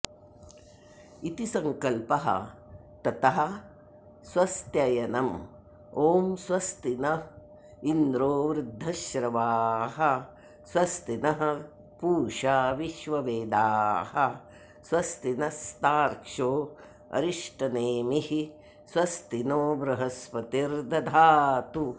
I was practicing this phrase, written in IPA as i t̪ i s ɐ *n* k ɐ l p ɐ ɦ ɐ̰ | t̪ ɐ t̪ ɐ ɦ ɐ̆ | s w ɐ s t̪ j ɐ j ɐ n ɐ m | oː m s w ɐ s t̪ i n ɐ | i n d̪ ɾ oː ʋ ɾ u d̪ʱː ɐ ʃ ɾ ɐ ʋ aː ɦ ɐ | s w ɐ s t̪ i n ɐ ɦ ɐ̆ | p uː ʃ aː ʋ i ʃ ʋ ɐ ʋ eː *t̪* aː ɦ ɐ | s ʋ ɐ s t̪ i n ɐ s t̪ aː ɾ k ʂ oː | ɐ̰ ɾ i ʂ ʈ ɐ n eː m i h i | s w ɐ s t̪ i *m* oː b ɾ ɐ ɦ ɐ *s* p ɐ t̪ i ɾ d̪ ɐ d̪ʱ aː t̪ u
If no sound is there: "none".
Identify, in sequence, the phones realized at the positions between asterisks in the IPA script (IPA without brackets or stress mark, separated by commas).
ŋ, d̪, n, s